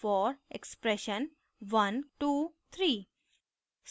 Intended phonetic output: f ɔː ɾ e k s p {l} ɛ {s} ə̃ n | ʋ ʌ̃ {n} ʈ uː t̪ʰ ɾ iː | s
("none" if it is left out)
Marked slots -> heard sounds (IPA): ɾ, ʃ, n

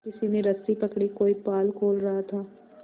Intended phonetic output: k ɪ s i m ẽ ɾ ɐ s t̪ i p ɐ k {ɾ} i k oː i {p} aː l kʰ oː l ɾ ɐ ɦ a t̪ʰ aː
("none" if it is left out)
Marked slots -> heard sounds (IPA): ɽ, p

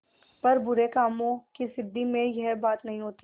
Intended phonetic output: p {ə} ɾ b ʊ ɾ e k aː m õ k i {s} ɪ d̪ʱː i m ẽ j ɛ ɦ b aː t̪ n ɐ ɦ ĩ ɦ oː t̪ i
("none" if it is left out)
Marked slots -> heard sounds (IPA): ɐ, s

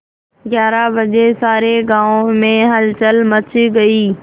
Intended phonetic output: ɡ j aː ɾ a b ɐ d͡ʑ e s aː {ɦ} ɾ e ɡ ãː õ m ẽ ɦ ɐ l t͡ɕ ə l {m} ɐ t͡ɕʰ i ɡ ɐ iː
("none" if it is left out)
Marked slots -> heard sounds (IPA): none, m

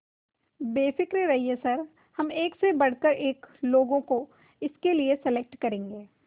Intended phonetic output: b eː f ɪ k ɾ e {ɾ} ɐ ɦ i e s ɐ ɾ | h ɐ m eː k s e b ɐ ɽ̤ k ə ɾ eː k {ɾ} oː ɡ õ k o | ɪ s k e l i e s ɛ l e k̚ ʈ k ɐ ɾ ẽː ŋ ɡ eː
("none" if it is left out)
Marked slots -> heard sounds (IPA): ɾ, l

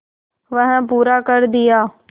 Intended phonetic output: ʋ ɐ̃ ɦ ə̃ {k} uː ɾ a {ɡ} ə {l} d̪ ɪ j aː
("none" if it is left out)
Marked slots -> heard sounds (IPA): p, k, ɾ

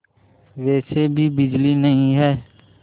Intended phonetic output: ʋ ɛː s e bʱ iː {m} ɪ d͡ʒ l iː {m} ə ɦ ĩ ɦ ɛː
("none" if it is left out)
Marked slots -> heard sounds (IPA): b, n

